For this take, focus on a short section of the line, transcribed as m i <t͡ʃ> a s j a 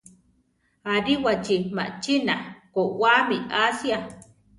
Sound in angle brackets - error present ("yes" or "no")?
yes